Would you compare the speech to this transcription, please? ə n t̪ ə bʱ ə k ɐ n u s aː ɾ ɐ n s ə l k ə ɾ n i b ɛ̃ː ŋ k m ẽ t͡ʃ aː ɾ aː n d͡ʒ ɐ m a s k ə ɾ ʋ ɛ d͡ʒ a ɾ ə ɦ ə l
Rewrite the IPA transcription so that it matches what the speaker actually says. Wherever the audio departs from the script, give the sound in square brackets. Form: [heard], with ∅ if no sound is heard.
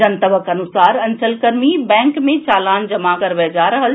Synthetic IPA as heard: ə n t̪ ə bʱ ə k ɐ n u s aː ɾ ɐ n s ə l k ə ɾ [m] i b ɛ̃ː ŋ k m ẽ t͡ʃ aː [l] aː n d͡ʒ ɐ m a [∅] k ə ɾ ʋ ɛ d͡ʒ a ɾ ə ɦ ə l